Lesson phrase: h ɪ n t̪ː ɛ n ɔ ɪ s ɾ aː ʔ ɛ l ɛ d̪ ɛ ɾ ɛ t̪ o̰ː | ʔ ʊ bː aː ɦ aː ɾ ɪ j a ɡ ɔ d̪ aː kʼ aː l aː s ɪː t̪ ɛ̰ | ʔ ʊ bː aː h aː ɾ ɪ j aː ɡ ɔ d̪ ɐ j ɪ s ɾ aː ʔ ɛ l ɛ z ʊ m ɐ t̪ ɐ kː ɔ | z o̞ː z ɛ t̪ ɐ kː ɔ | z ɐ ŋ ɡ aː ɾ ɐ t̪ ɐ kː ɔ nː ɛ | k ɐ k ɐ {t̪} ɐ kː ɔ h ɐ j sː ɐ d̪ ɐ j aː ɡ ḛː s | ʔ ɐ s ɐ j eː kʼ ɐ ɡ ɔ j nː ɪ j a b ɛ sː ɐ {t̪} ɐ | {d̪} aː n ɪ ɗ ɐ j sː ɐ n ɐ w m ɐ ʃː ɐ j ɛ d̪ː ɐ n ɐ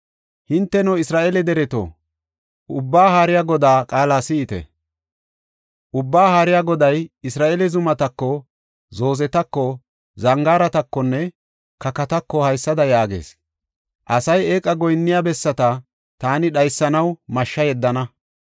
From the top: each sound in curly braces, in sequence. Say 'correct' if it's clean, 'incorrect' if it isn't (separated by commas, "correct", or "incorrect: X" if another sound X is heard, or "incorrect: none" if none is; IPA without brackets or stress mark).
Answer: correct, correct, incorrect: t̪